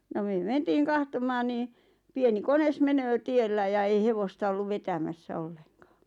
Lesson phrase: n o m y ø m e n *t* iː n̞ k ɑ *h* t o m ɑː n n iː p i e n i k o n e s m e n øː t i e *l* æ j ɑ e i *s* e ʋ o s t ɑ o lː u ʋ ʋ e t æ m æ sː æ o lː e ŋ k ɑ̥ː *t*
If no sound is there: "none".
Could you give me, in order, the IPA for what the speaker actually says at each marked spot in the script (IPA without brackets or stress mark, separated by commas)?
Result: t, h, lː, h, none